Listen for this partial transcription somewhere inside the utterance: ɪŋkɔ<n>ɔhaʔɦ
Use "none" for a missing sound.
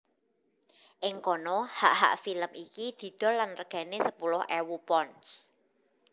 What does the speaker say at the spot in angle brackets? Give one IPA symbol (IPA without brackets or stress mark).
n